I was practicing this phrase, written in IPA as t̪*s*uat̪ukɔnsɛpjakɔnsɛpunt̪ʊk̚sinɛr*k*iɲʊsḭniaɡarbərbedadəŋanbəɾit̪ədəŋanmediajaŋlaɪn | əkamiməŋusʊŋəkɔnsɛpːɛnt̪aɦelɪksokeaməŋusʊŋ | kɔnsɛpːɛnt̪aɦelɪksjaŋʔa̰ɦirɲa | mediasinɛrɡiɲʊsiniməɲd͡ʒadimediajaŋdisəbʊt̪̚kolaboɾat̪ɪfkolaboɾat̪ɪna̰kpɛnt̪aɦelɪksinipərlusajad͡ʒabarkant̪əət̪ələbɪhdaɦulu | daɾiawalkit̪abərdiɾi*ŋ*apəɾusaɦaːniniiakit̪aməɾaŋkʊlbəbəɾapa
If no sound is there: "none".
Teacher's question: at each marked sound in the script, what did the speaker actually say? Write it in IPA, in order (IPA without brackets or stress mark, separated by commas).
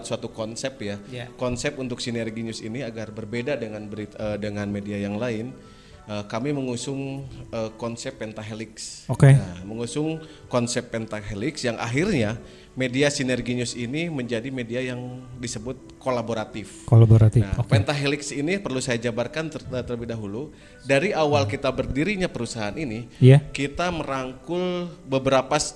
s, ɡ, ɲ